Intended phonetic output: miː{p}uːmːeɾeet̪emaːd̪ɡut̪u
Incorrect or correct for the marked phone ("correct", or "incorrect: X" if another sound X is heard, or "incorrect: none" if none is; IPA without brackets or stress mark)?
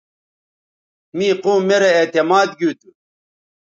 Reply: incorrect: q